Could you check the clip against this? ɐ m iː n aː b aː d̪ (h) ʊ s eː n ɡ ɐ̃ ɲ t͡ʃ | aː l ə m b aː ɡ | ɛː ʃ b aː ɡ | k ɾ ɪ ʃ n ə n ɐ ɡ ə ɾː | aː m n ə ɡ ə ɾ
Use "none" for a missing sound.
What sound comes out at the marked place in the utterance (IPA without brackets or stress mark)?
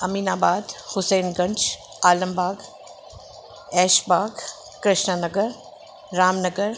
h